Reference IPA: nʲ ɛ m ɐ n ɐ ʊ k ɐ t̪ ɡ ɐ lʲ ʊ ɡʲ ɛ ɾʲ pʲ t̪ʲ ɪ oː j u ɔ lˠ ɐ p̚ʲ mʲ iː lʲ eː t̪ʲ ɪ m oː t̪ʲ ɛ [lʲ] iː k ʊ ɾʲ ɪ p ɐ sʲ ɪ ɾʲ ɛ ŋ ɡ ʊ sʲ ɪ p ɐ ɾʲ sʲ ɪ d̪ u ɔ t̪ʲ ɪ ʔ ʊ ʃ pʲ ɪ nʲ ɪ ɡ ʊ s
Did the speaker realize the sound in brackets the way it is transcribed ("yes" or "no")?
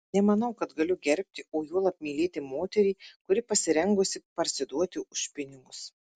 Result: no